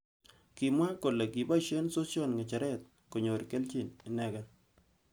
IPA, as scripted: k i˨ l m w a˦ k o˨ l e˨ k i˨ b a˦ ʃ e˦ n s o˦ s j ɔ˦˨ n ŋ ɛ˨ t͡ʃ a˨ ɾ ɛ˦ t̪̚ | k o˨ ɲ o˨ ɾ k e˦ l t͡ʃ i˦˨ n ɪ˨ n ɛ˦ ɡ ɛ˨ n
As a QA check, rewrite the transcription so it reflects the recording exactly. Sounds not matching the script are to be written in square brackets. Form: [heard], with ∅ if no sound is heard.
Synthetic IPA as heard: k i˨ [∅] m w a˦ k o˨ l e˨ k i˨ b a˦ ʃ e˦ n s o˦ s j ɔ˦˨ n ŋ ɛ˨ t͡ʃ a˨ ɾ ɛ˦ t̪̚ | k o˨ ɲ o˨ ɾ k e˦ l t͡ʃ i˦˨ n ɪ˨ n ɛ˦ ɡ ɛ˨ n